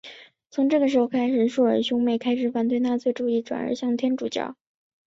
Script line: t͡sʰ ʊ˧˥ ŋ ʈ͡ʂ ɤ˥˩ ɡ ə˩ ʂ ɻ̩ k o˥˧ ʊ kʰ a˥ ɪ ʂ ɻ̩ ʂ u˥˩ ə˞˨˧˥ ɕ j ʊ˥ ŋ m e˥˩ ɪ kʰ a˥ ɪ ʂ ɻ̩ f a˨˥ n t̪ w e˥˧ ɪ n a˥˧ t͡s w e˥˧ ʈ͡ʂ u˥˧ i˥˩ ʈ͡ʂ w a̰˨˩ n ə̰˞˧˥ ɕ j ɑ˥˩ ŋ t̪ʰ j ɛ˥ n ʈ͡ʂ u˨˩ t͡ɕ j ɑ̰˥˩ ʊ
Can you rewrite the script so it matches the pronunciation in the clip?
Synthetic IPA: t͡sʰ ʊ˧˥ ŋ ʈ͡ʂ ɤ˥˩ ɡ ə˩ ʂ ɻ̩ x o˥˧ ʊ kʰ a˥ ɪ ʂ ɻ̩ ʂ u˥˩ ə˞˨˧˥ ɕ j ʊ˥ ŋ m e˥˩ ɪ kʰ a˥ ɪ ʂ ɻ̩ f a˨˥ n t̪ w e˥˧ ɪ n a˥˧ t͡s w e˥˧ ʈ͡ʂ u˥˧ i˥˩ ʈ͡ʂ w a̰˨˩ n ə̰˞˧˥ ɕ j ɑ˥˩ ŋ t̪ʰ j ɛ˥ n ʈ͡ʂ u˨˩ t͡ɕ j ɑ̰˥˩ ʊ

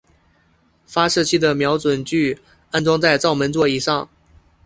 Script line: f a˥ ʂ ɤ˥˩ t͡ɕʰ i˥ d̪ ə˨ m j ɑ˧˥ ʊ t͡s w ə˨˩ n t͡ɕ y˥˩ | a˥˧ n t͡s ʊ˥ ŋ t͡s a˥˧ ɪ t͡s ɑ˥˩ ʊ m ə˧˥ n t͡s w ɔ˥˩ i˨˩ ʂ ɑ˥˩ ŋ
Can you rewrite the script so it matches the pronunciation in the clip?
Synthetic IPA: f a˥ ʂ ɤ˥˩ t͡ɕʰ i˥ d̪ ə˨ m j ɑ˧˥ ʊ t͡s w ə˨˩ n t͡ɕ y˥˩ | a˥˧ n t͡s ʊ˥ ŋ t͡s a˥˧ ɪ t͡s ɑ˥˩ ʊ m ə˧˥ n t͡s w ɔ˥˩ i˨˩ ʂ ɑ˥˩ ŋ

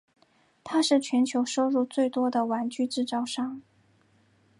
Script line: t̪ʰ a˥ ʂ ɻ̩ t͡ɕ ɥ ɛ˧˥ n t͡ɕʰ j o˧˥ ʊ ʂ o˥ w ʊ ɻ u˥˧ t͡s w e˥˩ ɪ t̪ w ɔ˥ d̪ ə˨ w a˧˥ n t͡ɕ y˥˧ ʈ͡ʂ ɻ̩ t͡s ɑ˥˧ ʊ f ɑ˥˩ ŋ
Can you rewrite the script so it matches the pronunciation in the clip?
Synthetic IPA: t̪ʰ a˥ ʂ ɻ̩ t͡ɕʰ ɥ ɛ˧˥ n t͡ɕʰ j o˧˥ ʊ ʂ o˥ ʊ ɻ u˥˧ t͡s w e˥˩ ɪ t̪ w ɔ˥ d̪ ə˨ w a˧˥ n t͡ɕ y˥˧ ʈ͡ʂ ɻ̩ t͡s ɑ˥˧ ʊ ʂ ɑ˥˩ ŋ

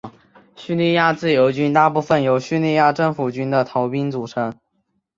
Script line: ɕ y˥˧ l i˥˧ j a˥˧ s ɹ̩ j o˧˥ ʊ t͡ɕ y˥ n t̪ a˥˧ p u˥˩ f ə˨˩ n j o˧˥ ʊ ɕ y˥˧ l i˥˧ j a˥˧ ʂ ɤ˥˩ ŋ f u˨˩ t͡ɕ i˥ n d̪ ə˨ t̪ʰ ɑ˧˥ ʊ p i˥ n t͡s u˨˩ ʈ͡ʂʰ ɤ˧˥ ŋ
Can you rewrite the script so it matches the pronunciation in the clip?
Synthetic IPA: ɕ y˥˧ l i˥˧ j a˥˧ t͡s ɹ̩ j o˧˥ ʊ t͡ɕ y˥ n t̪ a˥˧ p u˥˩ f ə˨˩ n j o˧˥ ʊ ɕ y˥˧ l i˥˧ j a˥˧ ʈ͡ʂ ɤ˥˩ ŋ f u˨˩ t͡ɕ y˥ n d̪ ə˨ t̪ʰ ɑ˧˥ ʊ p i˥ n t͡s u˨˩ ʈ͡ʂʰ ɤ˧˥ ŋ

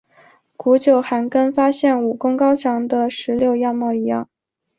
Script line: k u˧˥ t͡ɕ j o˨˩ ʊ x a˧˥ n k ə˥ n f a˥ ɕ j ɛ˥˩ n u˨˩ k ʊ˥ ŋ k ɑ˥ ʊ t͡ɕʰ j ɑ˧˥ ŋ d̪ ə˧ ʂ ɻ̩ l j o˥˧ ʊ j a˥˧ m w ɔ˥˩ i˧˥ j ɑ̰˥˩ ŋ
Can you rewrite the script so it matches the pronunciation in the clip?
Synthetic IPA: k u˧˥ t͡ɕ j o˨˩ ʊ x a˧˥ n k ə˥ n f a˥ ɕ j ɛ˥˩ n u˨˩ k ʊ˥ ŋ k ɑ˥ ʊ t͡ɕʰ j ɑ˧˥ ŋ d̪ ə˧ ʂ ɻ̩ l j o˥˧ ʊ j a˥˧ m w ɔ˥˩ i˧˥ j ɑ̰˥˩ ŋ

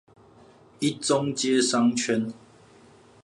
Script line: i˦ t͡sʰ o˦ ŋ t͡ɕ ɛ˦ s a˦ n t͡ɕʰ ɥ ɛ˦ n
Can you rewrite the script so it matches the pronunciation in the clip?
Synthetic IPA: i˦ t͡s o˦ ŋ t͡ɕ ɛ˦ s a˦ ŋ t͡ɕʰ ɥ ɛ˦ n

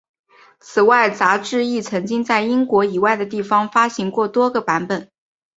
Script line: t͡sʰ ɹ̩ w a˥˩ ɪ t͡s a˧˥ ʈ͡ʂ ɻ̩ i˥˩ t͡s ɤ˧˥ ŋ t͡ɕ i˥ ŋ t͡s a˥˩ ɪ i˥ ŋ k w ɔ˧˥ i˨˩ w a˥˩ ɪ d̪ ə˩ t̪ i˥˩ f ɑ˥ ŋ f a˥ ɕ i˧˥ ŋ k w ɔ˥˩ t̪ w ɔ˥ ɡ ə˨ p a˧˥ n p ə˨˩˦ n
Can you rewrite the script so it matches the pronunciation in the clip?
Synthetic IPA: t͡sʰ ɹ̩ w a˥˩ ɪ t͡s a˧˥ ʈ͡ʂ ɻ̩ i˥˩ t͡sʰ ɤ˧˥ ŋ t͡ɕ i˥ ŋ t͡s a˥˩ ɪ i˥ ŋ k w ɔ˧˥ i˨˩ w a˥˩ ɪ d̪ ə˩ t̪ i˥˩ f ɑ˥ ŋ f a˥ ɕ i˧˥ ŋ k w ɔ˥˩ t̪ w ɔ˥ ɡ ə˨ p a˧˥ n p ə˨˩˦ n

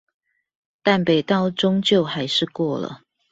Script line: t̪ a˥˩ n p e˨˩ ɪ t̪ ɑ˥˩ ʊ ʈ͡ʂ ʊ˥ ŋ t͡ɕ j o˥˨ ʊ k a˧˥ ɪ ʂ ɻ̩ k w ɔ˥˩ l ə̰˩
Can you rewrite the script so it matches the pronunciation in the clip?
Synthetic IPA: t̪ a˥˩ n p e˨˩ ɪ t̪ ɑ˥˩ ʊ ʈ͡ʂ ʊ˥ ŋ t͡ɕ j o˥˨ ʊ x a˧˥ ɪ ʂ ɻ̩ k w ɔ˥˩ l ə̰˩

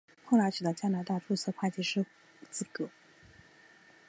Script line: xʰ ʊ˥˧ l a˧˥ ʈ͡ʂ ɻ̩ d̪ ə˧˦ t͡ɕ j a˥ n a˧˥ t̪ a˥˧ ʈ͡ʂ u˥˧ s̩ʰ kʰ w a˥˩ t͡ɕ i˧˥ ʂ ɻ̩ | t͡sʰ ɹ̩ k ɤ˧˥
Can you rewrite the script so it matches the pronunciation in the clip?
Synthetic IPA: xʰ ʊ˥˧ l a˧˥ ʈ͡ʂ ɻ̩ d̪ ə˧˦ t͡ɕ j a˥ n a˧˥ t̪ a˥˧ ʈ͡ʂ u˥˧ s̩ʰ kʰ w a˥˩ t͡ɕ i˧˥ ʂ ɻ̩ | t͡s ɹ̩ k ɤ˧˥

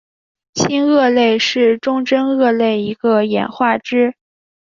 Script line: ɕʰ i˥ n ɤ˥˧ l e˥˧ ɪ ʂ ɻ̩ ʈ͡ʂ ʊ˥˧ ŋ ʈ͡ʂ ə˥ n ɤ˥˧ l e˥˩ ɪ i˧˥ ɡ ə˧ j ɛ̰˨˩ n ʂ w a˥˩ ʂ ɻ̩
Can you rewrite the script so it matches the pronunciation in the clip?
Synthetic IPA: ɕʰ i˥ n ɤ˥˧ l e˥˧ ɪ ʂ ɻ̩ ʈ͡ʂ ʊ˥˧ ŋ ʈ͡ʂ ə˥ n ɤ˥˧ l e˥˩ ɪ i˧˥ ɡ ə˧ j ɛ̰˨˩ n x w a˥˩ ʈ͡ʂ ɻ̩

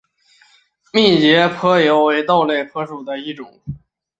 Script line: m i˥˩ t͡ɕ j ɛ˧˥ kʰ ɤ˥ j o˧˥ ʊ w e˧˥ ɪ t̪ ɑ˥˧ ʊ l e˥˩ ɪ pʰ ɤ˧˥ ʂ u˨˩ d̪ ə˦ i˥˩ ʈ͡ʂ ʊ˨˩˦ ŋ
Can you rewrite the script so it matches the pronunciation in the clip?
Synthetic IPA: m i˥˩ t͡ɕ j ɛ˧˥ pʰ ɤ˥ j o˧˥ ʊ w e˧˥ ɪ t̪ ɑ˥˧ ʊ l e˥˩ ɪ pʰ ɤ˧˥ ʂ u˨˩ d̪ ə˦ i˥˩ ʈ͡ʂ ʊ˨˩˦ ŋ

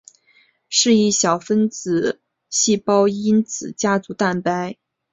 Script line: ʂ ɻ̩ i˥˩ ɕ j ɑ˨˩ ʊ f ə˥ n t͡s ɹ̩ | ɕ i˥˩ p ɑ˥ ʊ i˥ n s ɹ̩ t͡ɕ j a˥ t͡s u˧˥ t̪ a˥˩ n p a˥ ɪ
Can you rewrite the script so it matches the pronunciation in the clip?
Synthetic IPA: ʂ ɻ̩ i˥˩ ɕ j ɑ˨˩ ʊ f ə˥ n t͡s ɹ̩ | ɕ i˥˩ p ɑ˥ ʊ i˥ n t͡s ɹ̩ t͡ɕ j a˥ t͡s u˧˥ t̪ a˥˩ n p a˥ ɪ

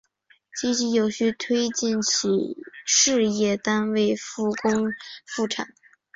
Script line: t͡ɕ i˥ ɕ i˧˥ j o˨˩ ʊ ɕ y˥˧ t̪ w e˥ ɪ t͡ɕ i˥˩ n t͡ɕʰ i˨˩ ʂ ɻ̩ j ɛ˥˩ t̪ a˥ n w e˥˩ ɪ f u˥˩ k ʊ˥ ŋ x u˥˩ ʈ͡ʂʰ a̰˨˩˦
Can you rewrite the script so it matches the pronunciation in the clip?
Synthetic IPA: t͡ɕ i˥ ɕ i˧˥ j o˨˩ ʊ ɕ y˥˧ t̪ʰ w e˥ ɪ t͡ɕ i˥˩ n t͡ɕʰ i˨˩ ʂ ɻ̩ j ɛ˥˩ t̪ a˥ n w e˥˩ ɪ f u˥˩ k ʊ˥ ŋ f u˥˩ ʈ͡ʂʰ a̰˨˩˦

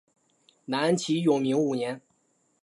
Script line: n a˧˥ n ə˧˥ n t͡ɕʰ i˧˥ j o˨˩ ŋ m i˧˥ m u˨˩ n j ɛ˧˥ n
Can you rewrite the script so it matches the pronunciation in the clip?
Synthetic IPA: n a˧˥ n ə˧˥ n t͡ɕʰ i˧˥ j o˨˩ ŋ m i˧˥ ŋ u˨˩ n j ɛ˧˥ n

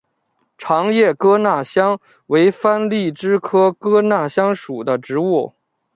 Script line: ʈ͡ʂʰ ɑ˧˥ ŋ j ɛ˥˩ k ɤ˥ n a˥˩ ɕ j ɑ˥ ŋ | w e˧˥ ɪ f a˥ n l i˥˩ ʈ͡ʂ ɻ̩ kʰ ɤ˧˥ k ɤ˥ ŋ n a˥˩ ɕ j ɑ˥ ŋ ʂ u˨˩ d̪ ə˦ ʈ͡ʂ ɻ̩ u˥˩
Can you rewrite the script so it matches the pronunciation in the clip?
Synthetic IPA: ʈ͡ʂʰ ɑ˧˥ ŋ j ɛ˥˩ k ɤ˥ n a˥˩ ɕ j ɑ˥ ŋ | w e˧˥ ɪ f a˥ n l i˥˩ ʈ͡ʂ ɻ̩ kʰ ɤ˥ k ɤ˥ n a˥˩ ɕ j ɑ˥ ŋ ʂ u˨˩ d̪ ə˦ ʈ͡ʂ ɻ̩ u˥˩

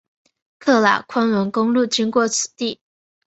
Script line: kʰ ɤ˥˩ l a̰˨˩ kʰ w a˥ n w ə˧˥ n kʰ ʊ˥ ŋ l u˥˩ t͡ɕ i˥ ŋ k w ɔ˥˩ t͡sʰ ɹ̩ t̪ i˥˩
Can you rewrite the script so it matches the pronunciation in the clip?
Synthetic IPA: kʰ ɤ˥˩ l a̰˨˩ kʰ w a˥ n w ə˧˥ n k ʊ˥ ŋ l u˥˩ t͡ɕ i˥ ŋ k w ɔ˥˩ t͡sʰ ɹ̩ t̪ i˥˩

